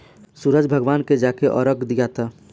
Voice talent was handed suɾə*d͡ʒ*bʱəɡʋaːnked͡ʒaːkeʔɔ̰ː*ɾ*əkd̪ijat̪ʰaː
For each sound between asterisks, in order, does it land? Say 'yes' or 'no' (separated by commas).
yes, yes